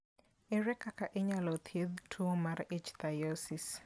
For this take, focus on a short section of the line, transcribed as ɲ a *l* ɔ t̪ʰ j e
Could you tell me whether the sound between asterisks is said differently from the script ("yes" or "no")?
no